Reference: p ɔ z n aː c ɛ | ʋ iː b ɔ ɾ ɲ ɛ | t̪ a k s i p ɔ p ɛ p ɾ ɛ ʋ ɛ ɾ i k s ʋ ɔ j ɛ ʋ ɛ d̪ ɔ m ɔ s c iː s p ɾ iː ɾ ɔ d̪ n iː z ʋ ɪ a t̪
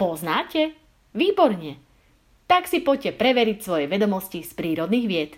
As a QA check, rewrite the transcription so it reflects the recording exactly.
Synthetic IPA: p ɔ z n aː c ɛ | ʋ iː b ɔ ɾ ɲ ɛ | t̪ a k s i p ɔ c ɛ p ɾ ɛ ʋ ɛ ɾ i c s ʋ ɔ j ɛ ʋ ɛ d̪ ɔ m ɔ s c i s p ɾ iː ɾ ɔ d̪ n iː ɣ ʋ ɪ ɛ t̪